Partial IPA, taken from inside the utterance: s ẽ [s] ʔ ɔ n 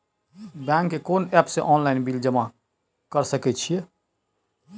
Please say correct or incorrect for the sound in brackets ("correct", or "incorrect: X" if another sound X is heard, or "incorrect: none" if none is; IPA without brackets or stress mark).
incorrect: none